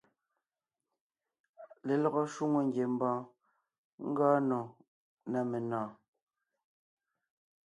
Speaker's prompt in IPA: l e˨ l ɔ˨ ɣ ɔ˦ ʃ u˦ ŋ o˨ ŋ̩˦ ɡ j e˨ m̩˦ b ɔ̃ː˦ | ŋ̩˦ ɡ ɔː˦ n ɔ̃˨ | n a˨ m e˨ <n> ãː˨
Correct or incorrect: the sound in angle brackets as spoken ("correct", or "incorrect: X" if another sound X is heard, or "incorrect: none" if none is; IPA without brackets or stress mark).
correct